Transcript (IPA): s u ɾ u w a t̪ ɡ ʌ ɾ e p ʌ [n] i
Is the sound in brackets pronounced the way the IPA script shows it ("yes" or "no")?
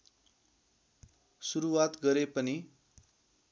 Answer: yes